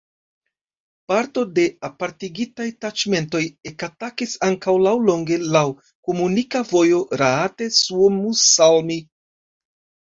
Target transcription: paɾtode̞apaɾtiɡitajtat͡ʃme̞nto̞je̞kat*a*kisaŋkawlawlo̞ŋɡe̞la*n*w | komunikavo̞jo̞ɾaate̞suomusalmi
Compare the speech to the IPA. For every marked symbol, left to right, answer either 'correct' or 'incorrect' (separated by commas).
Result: correct, incorrect